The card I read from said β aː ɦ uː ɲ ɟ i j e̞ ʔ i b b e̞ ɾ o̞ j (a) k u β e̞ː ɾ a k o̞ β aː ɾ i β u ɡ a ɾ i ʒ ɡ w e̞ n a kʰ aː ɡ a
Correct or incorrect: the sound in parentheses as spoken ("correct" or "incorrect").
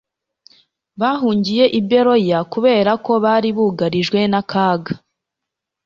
correct